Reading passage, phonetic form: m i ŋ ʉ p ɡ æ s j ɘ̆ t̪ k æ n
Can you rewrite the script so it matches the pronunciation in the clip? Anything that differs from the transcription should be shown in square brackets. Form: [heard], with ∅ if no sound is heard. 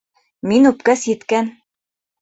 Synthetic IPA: m i [n] ʉ p [k] æ s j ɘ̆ t̪ k æ n